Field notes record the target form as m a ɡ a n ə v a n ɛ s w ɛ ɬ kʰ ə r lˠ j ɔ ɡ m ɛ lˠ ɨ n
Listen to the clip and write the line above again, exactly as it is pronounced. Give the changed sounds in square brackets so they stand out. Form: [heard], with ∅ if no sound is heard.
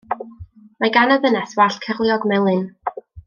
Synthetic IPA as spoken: m a ɡ a n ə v [ə] n ɛ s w [a] ɬ kʰ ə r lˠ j ɔ ɡ m ɛ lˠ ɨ n